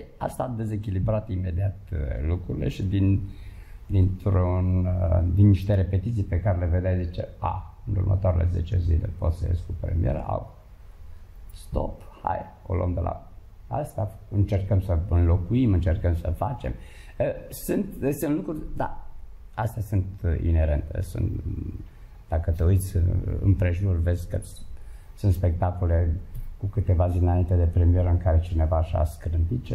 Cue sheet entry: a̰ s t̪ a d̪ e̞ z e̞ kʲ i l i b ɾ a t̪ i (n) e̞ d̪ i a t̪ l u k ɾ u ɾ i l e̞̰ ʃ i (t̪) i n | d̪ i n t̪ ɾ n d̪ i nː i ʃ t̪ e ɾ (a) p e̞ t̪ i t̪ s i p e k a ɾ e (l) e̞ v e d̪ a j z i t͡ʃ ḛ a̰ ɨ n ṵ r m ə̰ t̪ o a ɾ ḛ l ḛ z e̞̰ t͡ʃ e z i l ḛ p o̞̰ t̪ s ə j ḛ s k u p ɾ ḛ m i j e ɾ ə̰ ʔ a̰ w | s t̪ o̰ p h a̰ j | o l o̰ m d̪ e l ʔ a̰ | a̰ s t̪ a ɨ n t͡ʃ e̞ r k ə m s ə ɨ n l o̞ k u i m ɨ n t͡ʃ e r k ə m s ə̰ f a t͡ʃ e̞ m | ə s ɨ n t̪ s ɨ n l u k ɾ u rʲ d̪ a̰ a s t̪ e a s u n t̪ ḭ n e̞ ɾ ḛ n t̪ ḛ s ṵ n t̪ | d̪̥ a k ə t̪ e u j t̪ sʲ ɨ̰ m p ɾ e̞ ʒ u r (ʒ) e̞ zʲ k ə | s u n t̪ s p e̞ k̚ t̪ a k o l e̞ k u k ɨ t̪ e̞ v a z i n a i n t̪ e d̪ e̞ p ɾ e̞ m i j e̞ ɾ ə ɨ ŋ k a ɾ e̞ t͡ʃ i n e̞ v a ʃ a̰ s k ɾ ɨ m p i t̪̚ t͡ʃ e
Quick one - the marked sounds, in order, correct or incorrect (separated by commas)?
incorrect, incorrect, incorrect, correct, incorrect